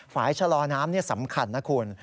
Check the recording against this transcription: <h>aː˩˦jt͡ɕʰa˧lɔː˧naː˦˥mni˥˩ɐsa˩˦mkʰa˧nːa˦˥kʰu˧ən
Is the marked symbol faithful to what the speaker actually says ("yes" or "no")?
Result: no